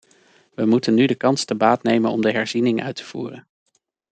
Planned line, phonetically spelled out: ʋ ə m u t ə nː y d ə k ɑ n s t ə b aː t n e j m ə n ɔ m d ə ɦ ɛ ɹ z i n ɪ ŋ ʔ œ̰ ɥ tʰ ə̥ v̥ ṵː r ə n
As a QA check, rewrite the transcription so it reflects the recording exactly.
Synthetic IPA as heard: ʋ ə m u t ə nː y d ə k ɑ n s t ə b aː t n e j m ə n ɔ m d ə ɦ ɛ ɹ z i n ɪ ŋ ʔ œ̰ ɥ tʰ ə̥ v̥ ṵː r ə n